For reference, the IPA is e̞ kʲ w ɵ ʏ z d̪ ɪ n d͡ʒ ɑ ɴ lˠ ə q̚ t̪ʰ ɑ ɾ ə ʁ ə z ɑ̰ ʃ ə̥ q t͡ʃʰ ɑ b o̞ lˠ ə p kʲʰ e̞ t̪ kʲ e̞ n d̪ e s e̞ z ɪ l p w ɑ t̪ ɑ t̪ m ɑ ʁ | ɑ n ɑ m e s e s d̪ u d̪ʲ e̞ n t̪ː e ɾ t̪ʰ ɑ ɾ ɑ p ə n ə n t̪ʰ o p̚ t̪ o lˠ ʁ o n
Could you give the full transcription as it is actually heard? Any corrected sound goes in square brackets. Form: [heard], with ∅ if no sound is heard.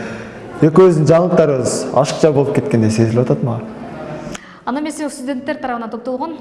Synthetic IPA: e̞ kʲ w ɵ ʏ z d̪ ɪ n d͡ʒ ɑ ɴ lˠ ə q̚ [t̪] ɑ ɾ ə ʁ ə z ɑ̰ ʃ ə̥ q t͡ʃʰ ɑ b o̞ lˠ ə p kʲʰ e̞ t̪ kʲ e̞ n d̪ e s e̞ z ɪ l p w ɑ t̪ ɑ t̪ m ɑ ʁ | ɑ n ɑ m e s e s [t̪] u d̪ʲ e̞ n t̪ː e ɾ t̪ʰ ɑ ɾ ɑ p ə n [ɑ] n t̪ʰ o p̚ t̪ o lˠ ʁ o n